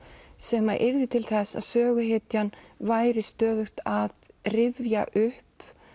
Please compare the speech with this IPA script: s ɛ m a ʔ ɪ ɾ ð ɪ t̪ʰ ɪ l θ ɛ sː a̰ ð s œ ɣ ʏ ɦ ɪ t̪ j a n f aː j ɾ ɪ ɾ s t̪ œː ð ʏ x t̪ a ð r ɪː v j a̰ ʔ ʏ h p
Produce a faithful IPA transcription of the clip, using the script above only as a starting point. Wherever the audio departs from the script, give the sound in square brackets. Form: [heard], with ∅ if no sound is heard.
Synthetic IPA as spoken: s ɛ m a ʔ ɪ ɾ ð ɪ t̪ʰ ɪ l θ ɛ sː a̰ ð s [œː] ɣ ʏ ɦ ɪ t̪ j a n [v] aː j ɾ ɪ [∅] s t̪ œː ð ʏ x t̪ a ð r [ɪ] v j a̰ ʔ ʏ h p